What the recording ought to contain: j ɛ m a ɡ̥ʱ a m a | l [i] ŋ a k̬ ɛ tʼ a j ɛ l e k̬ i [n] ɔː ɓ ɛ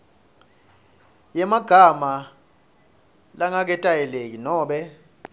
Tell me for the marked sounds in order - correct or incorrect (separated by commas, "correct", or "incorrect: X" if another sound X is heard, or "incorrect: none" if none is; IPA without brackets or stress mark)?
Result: incorrect: a, correct